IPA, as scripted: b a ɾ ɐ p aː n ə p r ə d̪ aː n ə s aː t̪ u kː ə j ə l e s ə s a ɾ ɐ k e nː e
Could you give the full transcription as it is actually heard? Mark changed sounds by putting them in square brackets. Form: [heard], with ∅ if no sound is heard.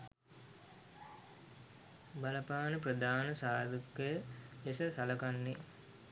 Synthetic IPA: b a [l] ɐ p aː n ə p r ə d̪ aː n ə s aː [d̪] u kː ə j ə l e s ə s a [l] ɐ k [a] nː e